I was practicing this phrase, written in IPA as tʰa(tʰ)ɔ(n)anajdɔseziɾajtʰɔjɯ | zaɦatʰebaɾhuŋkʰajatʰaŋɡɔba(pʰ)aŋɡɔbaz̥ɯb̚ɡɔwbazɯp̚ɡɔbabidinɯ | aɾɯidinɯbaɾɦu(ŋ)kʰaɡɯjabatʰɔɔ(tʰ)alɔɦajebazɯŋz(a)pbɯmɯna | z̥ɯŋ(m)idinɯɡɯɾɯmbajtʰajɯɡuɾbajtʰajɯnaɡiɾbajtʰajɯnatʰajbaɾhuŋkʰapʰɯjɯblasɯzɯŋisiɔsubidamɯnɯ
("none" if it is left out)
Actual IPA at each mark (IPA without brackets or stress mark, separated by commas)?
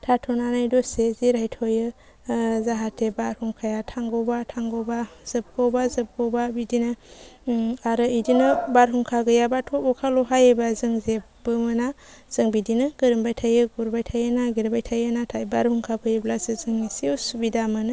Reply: tʰ, n, tʰ, ŋ, kʰ, e, b